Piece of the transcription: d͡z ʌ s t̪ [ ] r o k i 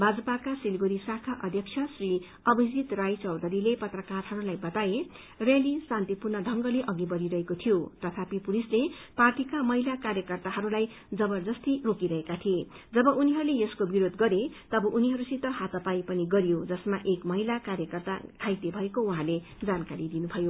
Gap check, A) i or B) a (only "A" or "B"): A